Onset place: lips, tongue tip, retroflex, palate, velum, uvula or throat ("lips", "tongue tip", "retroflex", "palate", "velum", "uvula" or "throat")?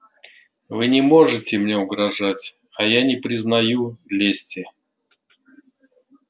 lips